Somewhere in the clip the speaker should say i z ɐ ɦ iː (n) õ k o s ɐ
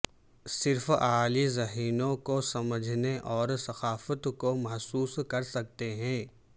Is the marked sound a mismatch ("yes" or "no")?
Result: no